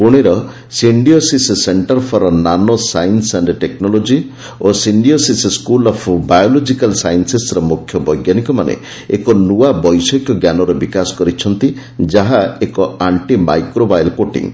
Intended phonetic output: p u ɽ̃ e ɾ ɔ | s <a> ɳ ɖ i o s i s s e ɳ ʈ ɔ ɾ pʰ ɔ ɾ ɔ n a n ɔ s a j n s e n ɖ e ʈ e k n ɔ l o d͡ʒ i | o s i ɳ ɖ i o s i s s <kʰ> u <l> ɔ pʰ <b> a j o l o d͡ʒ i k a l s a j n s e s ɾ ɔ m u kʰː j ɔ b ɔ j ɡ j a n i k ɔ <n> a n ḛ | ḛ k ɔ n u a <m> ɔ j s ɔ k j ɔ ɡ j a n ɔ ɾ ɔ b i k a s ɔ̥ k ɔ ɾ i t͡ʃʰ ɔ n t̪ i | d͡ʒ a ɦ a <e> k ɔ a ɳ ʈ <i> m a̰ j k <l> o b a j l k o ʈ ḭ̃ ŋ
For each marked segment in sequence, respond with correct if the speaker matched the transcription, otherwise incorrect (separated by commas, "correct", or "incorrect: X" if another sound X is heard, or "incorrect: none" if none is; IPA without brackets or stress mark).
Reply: incorrect: i, incorrect: k, correct, correct, incorrect: m, incorrect: b, correct, correct, incorrect: ɾ